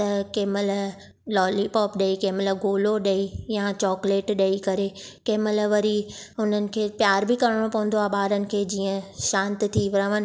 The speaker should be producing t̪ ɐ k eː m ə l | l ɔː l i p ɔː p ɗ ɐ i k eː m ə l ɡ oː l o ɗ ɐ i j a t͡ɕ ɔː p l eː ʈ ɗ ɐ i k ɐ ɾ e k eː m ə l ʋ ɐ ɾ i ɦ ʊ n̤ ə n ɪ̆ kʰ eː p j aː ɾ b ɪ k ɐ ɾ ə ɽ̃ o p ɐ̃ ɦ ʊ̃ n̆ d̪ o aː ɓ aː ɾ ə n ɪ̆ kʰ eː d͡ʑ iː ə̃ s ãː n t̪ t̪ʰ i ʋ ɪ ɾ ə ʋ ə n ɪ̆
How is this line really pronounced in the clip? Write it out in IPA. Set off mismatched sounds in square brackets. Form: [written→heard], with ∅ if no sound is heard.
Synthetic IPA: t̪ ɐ k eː m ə l | l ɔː l i p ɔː p ɗ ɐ i k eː m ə l ɡ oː l o ɗ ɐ i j a t͡ɕ ɔː [p→k] l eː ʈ ɗ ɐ i k ɐ ɾ e k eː m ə l ʋ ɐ ɾ i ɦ ʊ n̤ ə n ɪ̆ kʰ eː p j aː ɾ b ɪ k ɐ ɾ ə ɽ̃ o p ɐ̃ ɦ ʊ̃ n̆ d̪ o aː ɓ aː ɾ ə n ɪ̆ kʰ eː d͡ʑ iː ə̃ [s→ʃ] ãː n t̪ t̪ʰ i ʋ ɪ ɾ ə ʋ ə n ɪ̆